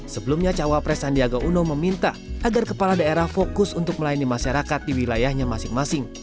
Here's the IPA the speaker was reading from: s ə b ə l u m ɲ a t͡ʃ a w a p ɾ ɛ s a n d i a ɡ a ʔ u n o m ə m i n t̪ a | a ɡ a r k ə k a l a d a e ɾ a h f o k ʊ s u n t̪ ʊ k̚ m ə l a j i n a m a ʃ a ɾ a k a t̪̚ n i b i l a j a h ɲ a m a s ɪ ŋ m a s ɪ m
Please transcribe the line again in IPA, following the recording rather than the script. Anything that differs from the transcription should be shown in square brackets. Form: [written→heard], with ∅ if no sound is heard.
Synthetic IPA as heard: s ə b ə l u m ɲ a t͡ʃ a w a p ɾ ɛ s a n d i a ɡ a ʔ u n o m ə m i n t̪ a | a ɡ a r k ə [k→p] a l a d a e ɾ a h f o k ʊ s u n t̪ ʊ k̚ m ə l a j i n [a→i] m a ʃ a ɾ a k a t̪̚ [n→d] i [b→w] i l a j a h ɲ a m a s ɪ ŋ m a s ɪ [m→ŋ]